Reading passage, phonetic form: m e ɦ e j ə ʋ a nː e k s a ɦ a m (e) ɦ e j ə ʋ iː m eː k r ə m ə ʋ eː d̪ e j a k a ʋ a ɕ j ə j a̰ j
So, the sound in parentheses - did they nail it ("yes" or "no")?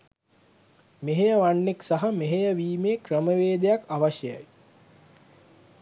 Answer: yes